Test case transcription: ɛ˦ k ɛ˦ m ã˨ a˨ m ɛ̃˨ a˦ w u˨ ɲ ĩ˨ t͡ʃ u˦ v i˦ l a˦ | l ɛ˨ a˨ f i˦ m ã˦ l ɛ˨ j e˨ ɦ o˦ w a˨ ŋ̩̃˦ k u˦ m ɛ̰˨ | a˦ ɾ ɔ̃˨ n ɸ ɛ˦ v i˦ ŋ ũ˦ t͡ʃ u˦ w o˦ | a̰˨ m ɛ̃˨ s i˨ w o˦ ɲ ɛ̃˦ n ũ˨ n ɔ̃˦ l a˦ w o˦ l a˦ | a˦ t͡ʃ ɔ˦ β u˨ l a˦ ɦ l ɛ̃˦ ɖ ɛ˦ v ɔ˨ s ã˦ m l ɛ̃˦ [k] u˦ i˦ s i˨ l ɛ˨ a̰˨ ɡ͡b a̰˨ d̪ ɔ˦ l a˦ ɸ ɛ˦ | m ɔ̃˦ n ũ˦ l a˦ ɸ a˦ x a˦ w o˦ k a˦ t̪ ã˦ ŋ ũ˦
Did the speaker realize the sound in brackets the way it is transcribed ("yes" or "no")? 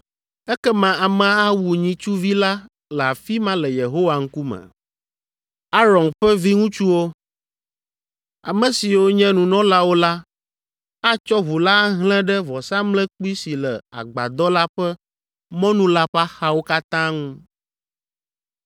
no